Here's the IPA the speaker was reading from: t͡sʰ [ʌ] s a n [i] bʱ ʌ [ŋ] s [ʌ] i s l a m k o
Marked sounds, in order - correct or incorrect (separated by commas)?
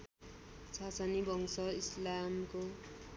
incorrect, correct, correct, correct